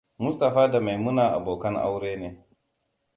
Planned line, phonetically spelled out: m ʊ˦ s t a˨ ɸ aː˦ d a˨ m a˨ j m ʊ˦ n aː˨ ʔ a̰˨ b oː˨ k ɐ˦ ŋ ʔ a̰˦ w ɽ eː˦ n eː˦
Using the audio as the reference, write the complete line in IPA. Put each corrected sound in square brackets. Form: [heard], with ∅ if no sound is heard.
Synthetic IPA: m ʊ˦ s t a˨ ɸ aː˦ d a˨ m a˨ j m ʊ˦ n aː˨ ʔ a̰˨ b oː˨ k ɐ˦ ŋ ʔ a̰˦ w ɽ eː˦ n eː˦